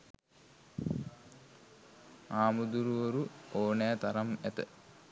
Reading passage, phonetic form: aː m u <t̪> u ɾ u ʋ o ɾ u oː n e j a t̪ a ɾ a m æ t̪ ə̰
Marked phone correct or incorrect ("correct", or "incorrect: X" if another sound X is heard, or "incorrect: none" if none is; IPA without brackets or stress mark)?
incorrect: d̪